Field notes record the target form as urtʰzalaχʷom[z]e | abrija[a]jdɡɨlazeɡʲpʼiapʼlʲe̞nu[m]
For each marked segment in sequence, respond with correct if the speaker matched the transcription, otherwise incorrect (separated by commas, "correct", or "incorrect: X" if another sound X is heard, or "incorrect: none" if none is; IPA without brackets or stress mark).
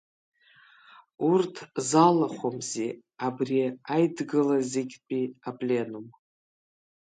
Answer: correct, correct, correct